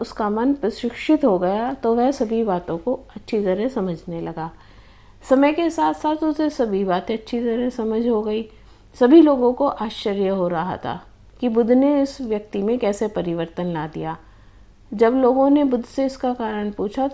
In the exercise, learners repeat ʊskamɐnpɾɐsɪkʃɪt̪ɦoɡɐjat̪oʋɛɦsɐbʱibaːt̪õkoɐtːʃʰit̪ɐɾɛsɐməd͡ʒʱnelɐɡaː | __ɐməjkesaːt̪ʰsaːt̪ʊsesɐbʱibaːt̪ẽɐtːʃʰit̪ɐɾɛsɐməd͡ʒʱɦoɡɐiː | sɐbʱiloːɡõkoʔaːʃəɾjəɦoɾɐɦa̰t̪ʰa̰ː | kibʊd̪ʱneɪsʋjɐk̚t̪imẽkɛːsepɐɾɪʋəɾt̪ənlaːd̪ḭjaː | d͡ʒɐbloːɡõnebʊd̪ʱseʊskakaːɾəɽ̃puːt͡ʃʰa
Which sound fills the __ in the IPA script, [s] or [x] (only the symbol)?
s